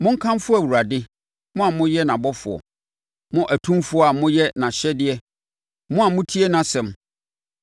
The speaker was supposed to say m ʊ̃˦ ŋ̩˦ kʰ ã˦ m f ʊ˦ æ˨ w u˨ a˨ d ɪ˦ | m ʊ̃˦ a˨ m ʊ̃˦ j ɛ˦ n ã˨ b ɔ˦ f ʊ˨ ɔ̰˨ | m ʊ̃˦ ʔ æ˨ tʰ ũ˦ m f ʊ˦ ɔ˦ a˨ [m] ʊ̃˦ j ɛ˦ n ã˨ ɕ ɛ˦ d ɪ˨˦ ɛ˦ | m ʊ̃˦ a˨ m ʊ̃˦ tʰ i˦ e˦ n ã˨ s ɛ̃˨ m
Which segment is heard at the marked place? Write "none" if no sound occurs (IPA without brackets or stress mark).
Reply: m